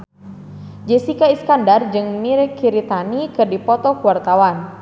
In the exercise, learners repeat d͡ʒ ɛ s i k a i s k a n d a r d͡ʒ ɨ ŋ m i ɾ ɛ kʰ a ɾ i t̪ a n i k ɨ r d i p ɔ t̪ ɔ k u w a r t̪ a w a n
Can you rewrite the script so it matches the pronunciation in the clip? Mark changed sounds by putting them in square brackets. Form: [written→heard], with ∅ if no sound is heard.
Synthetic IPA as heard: d͡ʒ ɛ s i k a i s k a n d a r d͡ʒ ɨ ŋ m i ɾ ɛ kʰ [a→i] ɾ i t̪ a n i k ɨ r d i p ɔ t̪ ɔ k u w a r t̪ a w a n